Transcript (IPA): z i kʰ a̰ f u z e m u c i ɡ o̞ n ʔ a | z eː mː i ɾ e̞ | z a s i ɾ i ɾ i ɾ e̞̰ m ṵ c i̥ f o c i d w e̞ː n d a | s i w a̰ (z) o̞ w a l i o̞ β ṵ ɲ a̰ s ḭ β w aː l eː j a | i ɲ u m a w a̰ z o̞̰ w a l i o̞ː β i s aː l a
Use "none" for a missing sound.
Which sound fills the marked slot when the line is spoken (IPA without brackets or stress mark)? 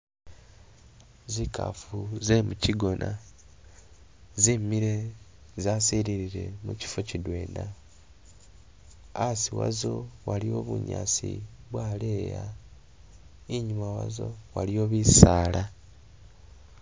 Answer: z